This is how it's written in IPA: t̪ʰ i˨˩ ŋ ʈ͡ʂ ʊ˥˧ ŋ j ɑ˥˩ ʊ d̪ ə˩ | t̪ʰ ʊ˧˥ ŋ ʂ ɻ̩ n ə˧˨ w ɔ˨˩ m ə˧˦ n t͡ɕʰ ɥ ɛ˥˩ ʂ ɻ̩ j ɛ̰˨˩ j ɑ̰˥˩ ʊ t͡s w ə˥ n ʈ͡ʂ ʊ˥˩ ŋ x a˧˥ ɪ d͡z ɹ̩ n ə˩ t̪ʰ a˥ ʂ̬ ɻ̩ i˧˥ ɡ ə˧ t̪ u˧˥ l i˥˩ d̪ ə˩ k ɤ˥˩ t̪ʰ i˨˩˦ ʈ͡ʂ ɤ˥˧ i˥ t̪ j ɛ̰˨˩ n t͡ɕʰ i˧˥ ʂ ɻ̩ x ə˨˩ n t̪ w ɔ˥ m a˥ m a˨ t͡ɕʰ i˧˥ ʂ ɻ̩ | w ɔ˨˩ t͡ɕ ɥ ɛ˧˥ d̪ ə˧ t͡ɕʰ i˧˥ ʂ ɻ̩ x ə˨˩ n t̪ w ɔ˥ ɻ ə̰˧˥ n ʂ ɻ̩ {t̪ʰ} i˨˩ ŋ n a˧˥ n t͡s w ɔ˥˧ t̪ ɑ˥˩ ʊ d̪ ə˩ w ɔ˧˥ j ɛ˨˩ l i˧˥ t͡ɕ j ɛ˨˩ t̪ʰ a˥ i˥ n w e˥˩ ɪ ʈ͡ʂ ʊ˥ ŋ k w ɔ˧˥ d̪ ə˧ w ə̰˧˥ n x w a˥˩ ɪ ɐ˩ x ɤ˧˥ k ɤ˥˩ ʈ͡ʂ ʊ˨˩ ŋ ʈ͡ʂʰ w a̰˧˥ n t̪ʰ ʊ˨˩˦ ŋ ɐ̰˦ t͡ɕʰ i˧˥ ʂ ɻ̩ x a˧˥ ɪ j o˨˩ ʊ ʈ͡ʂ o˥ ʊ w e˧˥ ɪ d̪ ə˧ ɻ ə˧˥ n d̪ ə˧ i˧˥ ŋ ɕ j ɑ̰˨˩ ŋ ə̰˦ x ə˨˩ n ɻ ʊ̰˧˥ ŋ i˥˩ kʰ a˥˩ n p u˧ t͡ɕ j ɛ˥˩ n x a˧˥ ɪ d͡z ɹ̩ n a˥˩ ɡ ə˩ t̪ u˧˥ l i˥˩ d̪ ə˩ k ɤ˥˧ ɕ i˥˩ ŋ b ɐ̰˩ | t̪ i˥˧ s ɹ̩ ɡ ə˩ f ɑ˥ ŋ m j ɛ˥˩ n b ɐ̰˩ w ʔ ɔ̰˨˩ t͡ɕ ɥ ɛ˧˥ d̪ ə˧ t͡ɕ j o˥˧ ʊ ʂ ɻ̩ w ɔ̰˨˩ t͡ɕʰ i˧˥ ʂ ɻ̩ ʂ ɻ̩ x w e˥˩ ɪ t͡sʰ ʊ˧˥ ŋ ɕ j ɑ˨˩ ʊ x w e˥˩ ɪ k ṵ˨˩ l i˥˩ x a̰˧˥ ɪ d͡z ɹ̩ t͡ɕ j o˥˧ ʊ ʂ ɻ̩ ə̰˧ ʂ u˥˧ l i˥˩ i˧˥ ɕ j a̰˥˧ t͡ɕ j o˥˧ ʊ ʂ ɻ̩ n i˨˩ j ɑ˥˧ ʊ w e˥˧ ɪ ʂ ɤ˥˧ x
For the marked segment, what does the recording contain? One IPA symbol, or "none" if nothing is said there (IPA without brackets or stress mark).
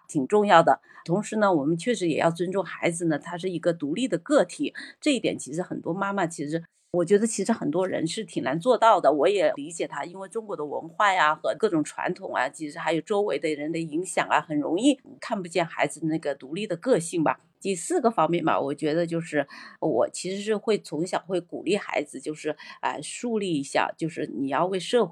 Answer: t̪ʰ